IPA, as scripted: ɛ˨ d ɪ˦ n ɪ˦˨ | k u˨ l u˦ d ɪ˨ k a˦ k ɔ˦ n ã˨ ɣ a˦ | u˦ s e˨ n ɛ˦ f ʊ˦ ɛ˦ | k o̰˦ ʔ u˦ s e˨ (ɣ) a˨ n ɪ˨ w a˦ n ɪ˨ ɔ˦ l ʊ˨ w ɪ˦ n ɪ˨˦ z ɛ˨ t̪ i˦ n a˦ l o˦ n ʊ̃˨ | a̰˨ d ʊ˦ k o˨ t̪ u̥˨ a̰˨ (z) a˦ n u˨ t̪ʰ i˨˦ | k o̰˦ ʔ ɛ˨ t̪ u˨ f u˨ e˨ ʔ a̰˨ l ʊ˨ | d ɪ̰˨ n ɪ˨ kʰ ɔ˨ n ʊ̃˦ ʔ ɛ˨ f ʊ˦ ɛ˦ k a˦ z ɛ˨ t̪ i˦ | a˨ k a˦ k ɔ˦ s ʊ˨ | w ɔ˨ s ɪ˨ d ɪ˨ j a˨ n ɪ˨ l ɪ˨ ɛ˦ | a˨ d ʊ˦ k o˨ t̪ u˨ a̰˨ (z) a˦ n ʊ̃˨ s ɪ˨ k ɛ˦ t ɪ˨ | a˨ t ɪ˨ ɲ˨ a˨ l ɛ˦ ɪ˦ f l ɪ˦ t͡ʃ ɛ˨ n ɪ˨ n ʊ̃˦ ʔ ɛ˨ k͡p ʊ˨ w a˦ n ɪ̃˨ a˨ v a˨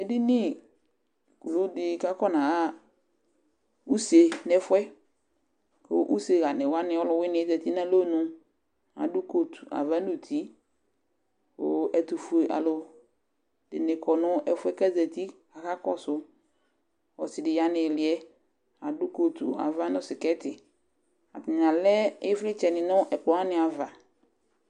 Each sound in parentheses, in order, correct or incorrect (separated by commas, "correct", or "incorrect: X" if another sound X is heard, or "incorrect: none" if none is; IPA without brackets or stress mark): correct, incorrect: v, incorrect: v